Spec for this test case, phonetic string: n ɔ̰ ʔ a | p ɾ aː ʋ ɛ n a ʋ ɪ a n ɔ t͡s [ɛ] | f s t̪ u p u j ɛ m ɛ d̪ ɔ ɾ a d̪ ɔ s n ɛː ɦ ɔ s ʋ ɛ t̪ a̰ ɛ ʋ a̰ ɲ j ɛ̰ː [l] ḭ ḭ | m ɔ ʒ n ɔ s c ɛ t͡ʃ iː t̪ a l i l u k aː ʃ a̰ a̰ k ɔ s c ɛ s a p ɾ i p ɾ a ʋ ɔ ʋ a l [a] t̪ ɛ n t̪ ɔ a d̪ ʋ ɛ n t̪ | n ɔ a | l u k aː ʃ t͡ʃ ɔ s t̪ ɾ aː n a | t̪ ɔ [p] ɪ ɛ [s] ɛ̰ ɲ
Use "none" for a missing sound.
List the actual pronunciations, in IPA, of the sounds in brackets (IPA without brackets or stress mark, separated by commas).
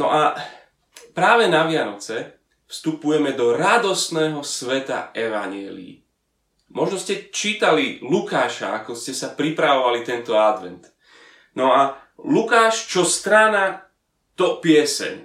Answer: ɛ, l, i, p, s